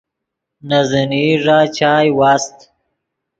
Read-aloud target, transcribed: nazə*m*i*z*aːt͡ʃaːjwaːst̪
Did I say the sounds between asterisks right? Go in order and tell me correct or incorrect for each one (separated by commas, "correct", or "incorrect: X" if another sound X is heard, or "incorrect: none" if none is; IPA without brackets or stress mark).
incorrect: n, incorrect: ʐ